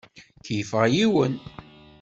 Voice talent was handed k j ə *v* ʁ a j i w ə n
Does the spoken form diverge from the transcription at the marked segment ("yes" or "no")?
yes